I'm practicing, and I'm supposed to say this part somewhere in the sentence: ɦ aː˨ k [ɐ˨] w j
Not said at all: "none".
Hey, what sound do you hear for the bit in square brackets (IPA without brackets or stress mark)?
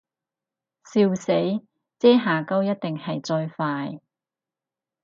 ɐ˥